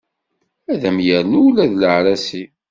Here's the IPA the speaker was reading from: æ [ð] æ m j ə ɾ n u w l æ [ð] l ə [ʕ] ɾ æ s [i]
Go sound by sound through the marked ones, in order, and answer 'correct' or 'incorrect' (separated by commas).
correct, correct, correct, correct